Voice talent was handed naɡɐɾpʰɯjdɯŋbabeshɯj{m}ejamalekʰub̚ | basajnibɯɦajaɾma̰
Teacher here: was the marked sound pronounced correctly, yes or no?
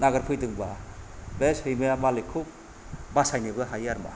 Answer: yes